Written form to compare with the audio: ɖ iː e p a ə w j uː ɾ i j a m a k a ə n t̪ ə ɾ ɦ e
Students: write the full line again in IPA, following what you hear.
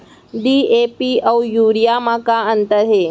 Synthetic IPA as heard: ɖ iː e p i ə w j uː ɾ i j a m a k a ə n t̪ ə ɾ ɦ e